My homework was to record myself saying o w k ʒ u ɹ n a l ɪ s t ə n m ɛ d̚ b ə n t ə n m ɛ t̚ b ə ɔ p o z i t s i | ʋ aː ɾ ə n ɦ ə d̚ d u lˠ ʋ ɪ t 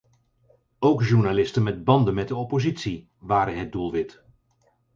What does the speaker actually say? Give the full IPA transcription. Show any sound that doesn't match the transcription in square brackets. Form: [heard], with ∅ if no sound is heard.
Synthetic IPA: o w k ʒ u ɹ n a l ɪ s t ə n m ɛ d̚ b [ɑ] n [d] ə n m ɛ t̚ [d] ə ɔ p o z i t s i | ʋ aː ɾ ə n ɦ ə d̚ d u lˠ ʋ ɪ t